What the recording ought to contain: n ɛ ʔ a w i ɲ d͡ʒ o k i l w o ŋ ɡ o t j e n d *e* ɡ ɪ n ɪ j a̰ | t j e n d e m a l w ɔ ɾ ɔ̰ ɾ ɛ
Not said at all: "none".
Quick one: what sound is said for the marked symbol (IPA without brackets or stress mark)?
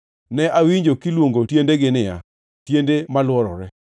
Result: e